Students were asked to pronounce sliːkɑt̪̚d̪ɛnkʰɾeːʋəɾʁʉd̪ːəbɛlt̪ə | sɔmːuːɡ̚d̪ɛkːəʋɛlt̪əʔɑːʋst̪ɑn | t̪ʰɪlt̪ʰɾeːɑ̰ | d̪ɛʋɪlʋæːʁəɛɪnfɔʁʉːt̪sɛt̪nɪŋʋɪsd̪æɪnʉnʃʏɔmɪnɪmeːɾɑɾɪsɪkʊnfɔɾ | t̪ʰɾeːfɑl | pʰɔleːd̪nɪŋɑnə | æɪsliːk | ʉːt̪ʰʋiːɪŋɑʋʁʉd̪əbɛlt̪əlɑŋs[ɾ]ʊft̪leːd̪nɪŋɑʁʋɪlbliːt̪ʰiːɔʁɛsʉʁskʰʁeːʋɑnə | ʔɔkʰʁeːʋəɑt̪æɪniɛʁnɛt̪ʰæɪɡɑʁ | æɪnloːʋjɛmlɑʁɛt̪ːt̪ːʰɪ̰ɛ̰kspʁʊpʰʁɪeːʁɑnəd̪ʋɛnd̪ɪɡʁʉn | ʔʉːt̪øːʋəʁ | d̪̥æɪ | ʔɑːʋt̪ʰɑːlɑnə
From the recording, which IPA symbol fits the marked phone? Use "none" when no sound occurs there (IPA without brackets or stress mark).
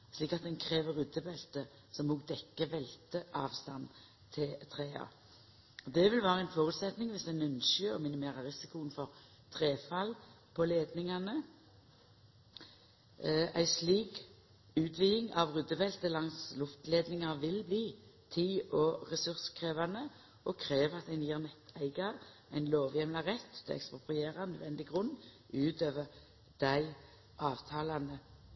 l